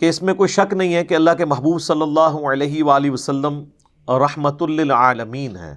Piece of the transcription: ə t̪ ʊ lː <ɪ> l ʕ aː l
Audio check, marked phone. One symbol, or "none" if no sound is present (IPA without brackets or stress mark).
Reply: ɪ